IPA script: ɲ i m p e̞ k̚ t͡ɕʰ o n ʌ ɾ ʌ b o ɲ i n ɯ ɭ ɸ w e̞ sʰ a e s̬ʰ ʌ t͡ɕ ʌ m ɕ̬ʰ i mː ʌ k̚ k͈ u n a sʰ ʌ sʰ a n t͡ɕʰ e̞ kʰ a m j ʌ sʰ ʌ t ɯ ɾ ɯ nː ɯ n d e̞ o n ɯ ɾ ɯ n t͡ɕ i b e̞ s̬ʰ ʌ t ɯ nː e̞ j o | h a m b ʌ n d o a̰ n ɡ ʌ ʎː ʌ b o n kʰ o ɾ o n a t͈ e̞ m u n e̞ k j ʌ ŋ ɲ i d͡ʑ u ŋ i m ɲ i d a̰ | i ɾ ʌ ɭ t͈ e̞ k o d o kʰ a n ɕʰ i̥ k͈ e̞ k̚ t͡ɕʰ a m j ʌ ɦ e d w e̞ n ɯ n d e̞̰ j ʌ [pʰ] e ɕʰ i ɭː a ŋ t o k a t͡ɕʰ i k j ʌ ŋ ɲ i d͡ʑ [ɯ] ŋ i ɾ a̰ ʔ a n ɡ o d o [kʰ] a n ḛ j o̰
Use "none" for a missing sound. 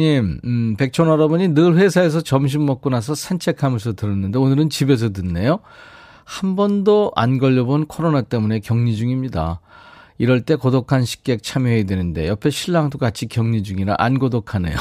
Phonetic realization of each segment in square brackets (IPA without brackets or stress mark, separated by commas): pʰ, u, kʰ